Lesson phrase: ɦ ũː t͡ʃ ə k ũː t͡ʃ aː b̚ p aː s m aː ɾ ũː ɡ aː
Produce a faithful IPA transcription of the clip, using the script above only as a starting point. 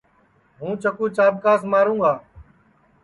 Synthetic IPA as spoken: ɦ ũː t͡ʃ ə k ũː t͡ʃ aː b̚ k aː s m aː ɾ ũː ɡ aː